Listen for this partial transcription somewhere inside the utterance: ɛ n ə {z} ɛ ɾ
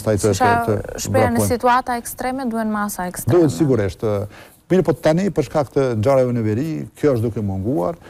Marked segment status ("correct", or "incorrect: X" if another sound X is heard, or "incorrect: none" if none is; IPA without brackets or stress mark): incorrect: v